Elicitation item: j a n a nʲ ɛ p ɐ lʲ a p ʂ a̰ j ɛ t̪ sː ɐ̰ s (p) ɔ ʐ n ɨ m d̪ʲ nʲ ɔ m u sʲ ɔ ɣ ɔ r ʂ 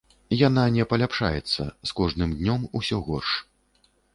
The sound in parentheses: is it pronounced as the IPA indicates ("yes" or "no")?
no